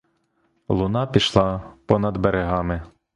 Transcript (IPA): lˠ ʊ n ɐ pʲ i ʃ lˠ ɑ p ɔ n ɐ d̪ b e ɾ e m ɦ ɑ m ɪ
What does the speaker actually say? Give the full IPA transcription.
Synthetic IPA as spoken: lˠ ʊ n ɑ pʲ i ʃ lˠ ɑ p ɔ n ɐ d̪ b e ɾ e ɦ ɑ m ɪ